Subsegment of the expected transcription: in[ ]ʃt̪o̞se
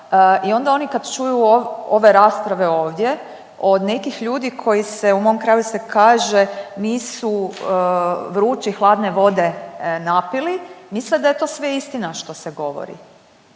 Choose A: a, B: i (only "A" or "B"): A